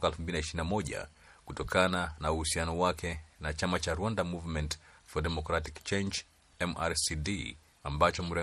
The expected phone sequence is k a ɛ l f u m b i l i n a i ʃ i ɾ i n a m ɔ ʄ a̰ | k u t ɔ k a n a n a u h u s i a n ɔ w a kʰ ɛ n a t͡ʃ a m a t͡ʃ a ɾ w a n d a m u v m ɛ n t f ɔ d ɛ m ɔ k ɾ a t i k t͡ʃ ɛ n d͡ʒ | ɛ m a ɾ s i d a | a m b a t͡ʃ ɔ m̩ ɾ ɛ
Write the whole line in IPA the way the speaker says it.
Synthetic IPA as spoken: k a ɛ l f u m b i l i n a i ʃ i ɾ i n a m ɔ ʄ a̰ | k u t ɔ k a n a n a u h u s i a n ɔ w a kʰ ɛ n a t͡ʃ a m a t͡ʃ a ɾ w a n d a m u v m ɛ n t f ɔ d ɛ m ɔ k ɾ a t i k t͡ʃ ɛ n d͡ʒ | ɛ m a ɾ s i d i | a m b a t͡ʃ ɔ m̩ ɾ ɛ